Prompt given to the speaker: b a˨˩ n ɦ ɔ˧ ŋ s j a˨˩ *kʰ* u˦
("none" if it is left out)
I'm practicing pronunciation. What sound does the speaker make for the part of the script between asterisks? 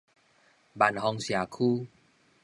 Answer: kʰ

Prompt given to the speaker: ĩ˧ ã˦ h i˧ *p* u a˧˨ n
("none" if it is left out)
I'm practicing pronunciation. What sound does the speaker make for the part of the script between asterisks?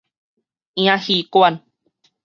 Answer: k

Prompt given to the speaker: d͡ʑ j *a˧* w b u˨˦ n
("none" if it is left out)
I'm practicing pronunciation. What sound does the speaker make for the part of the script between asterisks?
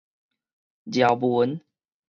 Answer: a˨˩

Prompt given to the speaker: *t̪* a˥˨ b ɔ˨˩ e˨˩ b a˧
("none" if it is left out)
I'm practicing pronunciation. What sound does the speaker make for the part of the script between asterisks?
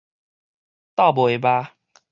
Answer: t̪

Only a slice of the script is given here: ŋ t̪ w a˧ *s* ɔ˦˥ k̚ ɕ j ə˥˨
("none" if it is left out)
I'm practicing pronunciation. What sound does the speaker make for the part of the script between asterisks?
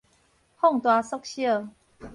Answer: s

